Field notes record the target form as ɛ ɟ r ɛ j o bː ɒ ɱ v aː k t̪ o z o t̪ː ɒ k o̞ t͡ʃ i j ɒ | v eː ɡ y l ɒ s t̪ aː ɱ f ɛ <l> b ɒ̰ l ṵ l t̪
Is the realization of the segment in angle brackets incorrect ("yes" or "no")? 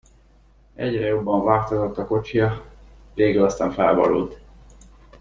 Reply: no